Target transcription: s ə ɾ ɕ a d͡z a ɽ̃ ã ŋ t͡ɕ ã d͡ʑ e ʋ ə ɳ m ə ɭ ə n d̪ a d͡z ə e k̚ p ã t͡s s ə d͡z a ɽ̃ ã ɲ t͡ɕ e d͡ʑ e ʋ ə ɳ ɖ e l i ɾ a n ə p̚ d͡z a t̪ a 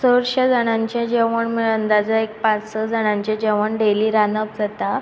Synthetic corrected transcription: s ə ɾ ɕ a d͡z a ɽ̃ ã ɲ t͡ɕ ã d͡ʑ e ʋ ə ɳ m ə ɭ ə n d̪ a d͡z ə e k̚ p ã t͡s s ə d͡z a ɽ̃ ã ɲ t͡ɕ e d͡ʑ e ʋ ə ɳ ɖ e l i ɾ a n ə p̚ d͡z a t̪ a